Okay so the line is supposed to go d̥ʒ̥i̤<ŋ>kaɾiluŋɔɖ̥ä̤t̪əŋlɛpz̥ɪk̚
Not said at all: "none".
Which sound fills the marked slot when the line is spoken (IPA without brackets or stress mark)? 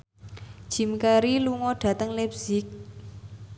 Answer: m